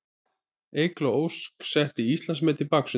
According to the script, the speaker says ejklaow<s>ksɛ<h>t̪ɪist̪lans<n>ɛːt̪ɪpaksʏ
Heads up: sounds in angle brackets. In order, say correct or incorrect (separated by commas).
correct, correct, incorrect